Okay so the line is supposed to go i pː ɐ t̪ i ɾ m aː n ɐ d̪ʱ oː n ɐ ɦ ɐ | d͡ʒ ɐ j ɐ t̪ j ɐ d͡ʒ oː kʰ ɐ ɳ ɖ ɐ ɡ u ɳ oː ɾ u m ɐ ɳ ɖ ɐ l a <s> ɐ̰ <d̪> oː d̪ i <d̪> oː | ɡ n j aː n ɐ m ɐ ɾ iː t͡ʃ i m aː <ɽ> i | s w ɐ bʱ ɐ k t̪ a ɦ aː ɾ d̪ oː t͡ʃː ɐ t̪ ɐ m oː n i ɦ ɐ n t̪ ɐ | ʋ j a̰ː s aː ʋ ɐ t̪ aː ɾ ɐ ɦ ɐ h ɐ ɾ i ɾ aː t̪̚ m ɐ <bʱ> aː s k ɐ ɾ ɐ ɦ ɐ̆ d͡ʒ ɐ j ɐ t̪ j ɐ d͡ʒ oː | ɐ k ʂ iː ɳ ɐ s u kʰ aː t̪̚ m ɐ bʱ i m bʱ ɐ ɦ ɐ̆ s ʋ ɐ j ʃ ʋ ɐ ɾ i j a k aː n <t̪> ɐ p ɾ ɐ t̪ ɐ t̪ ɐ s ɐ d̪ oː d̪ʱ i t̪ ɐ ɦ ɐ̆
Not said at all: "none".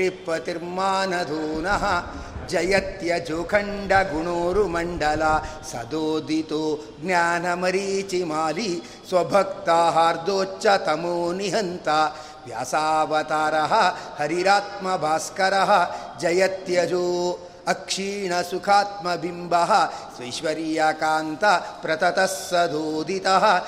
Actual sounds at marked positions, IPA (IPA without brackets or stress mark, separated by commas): s, d̪, t̪, l, bʱ, t̪